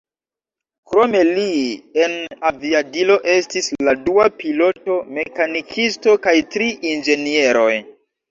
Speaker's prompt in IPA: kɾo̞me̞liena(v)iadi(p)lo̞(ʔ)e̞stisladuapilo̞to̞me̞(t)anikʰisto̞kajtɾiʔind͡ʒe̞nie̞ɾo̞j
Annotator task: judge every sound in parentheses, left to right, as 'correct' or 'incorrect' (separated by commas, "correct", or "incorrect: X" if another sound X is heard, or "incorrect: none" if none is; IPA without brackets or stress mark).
correct, incorrect: none, correct, incorrect: k